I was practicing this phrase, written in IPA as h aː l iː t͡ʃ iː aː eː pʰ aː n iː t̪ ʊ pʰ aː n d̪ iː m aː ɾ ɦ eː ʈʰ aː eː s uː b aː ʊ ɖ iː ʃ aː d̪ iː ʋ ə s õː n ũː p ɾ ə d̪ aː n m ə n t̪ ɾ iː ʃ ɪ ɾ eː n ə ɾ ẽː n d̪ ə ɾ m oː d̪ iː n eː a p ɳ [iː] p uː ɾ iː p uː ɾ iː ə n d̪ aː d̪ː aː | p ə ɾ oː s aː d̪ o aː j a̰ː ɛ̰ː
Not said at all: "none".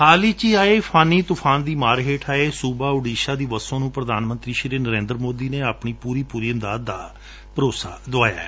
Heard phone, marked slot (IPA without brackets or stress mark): iː